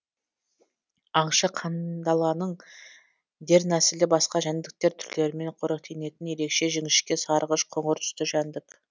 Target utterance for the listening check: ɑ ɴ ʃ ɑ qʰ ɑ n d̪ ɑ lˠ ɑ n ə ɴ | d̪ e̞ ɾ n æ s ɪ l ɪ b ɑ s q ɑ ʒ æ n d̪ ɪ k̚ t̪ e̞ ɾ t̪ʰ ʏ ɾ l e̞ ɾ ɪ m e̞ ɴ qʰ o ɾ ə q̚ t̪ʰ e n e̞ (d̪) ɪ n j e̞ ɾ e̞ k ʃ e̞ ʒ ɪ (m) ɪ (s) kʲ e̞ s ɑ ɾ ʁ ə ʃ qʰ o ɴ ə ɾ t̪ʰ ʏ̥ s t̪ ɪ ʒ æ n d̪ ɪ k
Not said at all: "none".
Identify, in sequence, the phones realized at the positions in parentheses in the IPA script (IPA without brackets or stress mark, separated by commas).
t̪, ŋ, ʃ